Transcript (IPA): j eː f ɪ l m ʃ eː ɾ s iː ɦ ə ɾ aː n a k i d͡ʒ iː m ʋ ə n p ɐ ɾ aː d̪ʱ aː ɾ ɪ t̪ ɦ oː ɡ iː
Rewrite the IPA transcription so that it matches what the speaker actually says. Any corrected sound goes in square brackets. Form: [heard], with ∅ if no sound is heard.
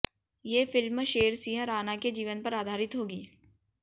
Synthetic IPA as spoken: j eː f ɪ l m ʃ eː ɾ s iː ɦ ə ɾ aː n a k [e] d͡ʒ iː [∅] ʋ ə n p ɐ ɾ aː d̪ʱ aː ɾ ɪ t̪ ɦ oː ɡ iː